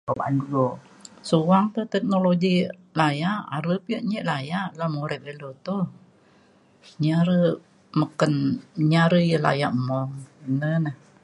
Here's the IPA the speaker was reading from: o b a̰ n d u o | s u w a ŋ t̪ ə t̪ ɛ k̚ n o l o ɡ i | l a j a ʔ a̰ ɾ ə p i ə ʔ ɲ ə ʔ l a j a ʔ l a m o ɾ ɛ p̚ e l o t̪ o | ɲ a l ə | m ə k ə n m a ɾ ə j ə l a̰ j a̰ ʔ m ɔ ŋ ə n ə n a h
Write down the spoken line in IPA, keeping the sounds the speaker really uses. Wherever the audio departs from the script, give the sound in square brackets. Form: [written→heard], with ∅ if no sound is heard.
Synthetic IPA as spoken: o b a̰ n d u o | s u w a ŋ t̪ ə t̪ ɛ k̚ n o l o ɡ i | l a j a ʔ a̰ ɾ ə p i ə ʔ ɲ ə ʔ l a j a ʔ l a m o ɾ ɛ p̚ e l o t̪ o | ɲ a [l→ɾ] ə | m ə k ə n [m→ɲ] a ɾ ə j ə l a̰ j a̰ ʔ m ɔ ŋ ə n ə n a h